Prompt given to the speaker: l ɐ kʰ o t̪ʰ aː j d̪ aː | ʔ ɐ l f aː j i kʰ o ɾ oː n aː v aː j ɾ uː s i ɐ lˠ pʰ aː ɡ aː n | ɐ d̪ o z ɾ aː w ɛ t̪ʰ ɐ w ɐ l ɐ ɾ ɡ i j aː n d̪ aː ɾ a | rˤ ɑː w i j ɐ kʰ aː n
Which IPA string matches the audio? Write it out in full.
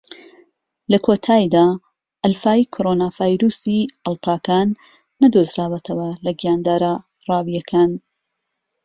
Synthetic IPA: l ɐ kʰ o t̪ʰ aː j d̪ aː | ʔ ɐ l f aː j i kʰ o ɾ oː n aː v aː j ɾ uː s i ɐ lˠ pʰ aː k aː nː | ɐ d̪ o z ɾ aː w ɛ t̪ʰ ɐ w ɐ l ɐ ɡ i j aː n d̪ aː ɾ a | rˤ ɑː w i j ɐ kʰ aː n